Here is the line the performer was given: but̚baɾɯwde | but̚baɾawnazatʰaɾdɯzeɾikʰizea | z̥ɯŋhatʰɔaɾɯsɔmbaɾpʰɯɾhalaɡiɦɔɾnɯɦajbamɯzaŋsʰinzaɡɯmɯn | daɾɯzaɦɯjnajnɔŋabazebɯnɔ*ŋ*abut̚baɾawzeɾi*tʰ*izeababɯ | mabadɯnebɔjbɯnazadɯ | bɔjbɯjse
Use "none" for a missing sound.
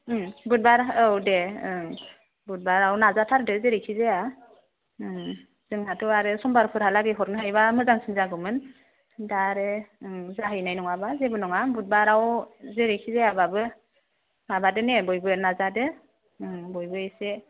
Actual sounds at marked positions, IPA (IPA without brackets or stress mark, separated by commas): ŋ, kʰ